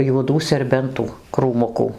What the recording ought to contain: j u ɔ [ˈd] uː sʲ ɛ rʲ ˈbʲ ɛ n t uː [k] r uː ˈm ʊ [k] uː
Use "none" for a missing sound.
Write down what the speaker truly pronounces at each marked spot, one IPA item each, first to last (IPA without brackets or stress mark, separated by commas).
d, k, k